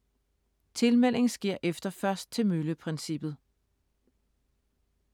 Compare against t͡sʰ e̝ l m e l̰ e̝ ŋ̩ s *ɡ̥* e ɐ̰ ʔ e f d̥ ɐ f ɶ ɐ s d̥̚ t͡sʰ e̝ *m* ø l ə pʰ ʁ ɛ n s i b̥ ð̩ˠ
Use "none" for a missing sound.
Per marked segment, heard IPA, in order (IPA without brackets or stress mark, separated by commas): ɡ̥, m